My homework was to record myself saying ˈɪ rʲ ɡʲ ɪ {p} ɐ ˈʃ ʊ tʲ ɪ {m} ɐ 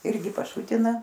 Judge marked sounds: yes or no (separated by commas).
yes, no